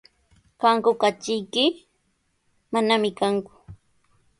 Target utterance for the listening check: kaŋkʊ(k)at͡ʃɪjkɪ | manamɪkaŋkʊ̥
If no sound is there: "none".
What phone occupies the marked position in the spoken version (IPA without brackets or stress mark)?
k